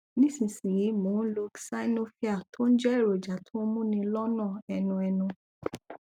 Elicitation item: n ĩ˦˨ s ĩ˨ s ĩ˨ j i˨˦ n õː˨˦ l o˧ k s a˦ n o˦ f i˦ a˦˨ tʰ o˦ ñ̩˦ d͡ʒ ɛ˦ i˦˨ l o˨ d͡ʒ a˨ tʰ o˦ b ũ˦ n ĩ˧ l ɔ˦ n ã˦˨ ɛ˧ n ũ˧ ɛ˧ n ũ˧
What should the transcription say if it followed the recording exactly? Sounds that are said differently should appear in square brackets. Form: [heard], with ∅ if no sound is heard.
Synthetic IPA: n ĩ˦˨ s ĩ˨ s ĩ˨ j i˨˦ [m] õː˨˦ l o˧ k s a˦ n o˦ f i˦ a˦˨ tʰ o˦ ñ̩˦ d͡ʒ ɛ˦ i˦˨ [ɾ] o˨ d͡ʒ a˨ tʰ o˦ [m] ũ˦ n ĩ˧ l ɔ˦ n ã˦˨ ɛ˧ n ũ˧ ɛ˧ n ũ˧

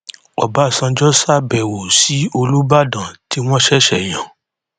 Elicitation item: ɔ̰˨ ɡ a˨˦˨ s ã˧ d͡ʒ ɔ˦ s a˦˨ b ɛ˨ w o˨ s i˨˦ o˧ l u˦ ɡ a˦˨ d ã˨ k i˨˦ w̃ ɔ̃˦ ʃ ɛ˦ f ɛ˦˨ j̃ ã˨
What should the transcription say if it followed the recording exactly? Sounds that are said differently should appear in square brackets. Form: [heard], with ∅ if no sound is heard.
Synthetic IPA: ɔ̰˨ [b] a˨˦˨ s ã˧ d͡ʒ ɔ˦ s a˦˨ b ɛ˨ w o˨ s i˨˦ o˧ l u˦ [b] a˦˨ d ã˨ [t] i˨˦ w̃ ɔ̃˦ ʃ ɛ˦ [ʃ] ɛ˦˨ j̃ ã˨

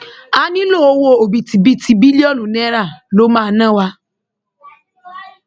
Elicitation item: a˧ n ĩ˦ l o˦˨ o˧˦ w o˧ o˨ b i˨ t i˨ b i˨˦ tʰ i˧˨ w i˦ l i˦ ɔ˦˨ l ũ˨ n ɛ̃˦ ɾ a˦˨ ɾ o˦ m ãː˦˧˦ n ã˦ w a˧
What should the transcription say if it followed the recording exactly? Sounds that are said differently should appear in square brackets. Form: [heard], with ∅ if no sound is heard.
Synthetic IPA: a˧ n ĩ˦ l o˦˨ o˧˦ w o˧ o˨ b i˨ t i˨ b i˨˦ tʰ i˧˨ [b] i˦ l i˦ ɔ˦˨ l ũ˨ n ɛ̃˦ ɾ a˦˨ [l] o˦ m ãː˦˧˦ n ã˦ w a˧

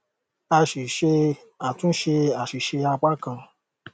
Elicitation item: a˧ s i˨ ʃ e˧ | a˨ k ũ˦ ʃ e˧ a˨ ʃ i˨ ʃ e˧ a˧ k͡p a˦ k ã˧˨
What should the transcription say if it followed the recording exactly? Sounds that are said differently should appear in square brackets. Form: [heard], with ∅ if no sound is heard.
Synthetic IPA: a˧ [ʃ] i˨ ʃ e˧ | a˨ [t] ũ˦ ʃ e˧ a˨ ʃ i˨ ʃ e˧ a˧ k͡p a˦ k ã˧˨

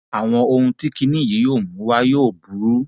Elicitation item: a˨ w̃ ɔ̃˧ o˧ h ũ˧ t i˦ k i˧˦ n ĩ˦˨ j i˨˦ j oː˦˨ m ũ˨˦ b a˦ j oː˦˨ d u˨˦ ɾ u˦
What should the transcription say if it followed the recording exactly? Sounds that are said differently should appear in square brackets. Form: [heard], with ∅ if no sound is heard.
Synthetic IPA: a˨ w̃ ɔ̃˧ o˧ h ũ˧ t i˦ k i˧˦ n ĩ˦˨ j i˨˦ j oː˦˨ m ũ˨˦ [w] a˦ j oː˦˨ [b] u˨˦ ɾ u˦

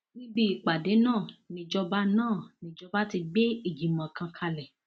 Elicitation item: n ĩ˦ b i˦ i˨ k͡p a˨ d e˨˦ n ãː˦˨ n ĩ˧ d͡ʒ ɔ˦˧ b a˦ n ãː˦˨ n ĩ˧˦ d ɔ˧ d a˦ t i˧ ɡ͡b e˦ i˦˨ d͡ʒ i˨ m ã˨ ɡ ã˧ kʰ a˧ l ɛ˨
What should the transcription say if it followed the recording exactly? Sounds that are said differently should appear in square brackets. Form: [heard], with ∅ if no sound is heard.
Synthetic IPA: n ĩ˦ b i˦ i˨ k͡p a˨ d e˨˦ n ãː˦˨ n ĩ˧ d͡ʒ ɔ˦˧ b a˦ n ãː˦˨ n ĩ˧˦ [d͡ʒ] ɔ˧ [b] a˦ t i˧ ɡ͡b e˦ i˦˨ d͡ʒ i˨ m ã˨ [k] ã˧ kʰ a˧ l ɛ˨

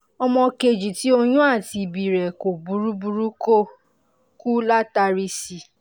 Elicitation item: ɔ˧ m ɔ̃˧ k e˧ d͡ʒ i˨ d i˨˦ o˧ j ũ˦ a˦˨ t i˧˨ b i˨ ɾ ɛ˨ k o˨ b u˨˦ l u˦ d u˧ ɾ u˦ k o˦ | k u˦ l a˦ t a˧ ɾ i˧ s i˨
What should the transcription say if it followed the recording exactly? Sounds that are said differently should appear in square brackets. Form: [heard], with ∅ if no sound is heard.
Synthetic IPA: ɔ˧ m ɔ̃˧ k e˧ d͡ʒ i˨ [t] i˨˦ o˧ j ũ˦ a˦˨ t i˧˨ b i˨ ɾ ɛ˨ k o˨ b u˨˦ [ɾ] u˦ [b] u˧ ɾ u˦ k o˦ | k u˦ l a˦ t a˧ ɾ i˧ s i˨

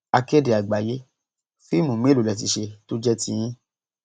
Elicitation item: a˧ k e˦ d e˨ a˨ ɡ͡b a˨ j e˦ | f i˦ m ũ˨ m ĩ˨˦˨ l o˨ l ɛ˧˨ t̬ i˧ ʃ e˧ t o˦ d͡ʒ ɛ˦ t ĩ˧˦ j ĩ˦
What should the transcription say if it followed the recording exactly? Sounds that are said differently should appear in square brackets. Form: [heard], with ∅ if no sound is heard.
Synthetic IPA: a˧ k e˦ d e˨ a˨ ɡ͡b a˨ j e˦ | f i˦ m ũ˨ m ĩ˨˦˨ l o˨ l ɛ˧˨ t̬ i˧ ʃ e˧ t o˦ d͡ʒ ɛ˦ t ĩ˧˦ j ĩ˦

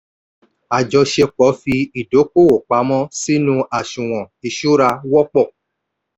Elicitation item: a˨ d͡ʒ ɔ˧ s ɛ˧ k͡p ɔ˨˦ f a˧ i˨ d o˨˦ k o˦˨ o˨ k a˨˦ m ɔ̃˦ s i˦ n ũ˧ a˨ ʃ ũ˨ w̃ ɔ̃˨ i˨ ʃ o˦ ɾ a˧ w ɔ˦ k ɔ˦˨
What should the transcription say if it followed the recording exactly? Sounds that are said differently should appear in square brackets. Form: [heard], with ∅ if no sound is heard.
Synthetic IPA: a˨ d͡ʒ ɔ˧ [ʃ] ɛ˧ k͡p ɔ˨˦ f [i˧] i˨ d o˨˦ k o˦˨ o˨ [k͡p] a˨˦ m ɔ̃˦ s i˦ n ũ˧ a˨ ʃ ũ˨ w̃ ɔ̃˨ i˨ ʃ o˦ ɾ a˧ w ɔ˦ [k͡p] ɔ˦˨

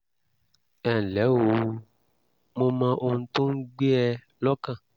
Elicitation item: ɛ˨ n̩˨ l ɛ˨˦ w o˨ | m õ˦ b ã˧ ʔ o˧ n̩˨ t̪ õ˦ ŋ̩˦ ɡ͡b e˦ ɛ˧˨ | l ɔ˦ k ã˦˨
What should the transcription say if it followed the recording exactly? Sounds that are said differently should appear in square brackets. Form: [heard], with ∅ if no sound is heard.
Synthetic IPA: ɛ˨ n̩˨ l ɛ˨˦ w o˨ | m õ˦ [m] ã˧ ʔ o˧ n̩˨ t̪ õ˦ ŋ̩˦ ɡ͡b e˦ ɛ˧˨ | l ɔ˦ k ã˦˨

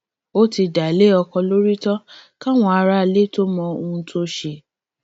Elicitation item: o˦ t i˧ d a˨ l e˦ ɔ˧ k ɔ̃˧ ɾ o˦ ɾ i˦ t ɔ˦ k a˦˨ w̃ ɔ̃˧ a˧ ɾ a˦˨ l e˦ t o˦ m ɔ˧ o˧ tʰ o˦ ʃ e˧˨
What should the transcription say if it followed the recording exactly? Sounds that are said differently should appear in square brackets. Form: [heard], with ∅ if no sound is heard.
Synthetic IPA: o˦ t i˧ d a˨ l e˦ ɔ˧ k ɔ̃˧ [l] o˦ ɾ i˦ t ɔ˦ k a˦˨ w̃ ɔ̃˧ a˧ ɾ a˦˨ l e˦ t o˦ m [ɔ̃˧] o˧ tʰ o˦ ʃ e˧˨

